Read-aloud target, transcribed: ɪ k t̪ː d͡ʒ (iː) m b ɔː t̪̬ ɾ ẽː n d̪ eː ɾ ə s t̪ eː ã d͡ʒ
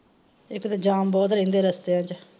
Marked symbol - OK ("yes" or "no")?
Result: no